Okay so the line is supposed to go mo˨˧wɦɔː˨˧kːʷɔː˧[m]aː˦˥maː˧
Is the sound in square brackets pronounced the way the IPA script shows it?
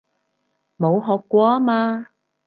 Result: no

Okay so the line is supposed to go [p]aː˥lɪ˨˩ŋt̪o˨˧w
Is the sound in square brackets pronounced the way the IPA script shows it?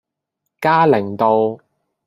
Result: no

